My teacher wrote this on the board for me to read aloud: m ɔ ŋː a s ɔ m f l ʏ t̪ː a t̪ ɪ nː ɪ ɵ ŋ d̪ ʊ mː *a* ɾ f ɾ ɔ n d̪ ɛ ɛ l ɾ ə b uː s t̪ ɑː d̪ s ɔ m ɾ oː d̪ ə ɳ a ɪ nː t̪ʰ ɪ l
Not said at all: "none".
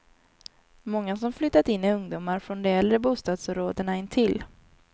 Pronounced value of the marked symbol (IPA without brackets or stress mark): a